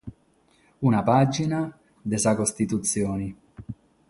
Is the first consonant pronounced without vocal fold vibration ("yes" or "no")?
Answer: no